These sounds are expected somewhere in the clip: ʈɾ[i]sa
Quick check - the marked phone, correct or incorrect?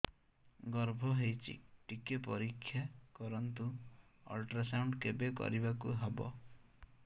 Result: incorrect